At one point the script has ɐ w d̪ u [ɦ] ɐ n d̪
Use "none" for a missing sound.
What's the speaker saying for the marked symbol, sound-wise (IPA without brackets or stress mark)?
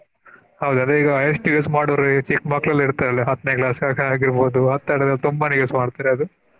none